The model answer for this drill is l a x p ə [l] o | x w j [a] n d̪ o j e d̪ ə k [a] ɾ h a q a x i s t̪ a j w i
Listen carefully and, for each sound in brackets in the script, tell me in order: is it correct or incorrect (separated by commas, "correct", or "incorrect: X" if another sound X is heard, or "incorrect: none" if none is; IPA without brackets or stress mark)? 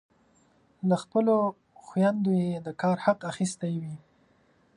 correct, correct, incorrect: ɑ